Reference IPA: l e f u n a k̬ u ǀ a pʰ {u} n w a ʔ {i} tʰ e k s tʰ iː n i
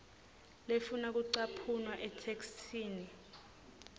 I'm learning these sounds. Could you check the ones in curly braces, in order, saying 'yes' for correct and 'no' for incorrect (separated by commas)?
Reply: yes, no